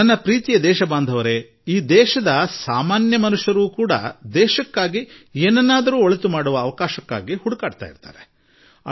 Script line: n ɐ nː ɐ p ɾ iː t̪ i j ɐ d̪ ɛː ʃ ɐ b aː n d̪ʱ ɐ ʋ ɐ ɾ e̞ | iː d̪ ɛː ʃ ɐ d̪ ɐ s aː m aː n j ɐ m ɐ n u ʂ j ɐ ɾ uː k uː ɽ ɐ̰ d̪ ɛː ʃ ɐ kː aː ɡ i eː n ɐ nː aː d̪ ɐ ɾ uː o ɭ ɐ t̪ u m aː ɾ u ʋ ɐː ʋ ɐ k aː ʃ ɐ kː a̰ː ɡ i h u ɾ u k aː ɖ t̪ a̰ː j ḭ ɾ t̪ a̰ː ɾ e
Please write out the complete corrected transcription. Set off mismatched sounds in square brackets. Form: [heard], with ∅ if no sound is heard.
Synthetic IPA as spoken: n ɐ nː ɐ p ɾ iː t̪ i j ɐ d̪ ɛː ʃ ɐ b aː n d̪ʱ ɐ ʋ ɐ ɾ e̞ | iː d̪ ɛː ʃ ɐ d̪ ɐ s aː m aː n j ɐ m ɐ n u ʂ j ɐ ɾ uː k uː ɽ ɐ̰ d̪ ɛː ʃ ɐ kː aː ɡ i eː n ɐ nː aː d̪ ɐ ɾ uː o ɭ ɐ t̪ u m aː [ɽ] u ʋ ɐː ʋ ɐ k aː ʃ ɐ kː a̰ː ɡ i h u [ɽ] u k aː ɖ t̪ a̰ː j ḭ ɾ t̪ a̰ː ɾ e